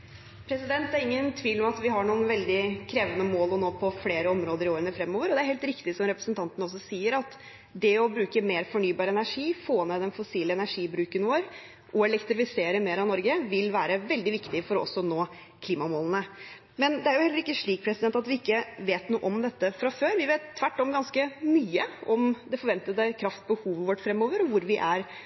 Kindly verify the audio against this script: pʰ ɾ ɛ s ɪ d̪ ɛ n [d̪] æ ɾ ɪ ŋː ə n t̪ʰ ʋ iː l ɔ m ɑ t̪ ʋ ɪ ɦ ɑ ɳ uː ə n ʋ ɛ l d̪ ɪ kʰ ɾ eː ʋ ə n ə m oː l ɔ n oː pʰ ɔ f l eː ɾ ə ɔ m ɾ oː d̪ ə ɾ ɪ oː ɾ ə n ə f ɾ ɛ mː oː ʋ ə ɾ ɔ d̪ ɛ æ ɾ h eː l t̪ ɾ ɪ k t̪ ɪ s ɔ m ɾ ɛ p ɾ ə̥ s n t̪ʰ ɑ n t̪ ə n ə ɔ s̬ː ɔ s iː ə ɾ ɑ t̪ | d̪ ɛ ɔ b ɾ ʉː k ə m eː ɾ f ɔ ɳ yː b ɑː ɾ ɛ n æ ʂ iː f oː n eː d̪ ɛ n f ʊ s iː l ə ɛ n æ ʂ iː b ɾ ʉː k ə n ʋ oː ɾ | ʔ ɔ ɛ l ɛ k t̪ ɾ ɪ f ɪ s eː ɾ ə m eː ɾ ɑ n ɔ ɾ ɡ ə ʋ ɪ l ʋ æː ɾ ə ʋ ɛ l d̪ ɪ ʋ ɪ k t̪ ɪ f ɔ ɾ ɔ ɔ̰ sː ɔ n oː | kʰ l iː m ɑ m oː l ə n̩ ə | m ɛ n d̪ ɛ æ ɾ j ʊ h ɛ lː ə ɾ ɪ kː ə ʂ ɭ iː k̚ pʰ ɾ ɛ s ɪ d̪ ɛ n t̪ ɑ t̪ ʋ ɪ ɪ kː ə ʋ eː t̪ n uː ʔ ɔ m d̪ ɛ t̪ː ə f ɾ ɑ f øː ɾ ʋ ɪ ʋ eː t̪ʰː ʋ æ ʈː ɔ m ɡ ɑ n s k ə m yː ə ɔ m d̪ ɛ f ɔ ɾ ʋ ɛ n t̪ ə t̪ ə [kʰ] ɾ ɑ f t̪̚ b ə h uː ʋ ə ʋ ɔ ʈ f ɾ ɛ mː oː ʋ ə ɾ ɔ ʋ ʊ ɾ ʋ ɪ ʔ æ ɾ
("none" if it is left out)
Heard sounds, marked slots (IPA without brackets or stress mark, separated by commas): t̪, kʰ